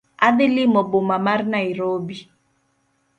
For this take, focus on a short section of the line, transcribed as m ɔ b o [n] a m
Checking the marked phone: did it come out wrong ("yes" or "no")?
yes